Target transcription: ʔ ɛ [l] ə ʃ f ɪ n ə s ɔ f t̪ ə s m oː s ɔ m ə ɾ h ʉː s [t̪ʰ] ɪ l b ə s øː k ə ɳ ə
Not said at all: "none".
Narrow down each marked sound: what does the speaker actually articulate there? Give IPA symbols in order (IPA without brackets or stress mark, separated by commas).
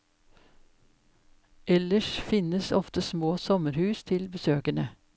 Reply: l, t̪ʰ